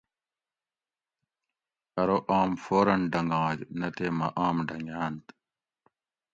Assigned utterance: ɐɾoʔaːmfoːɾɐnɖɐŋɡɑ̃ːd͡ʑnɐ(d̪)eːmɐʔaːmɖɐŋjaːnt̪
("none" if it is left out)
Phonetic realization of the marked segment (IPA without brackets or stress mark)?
t̪